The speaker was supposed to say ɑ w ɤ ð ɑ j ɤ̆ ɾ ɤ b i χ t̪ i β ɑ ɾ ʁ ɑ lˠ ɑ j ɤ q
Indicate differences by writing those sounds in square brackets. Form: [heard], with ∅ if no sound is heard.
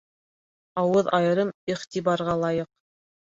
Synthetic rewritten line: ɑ w ɤ ð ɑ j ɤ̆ ɾ ɤ [m] i χ t̪ i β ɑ ɾ ʁ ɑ lˠ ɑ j ɤ q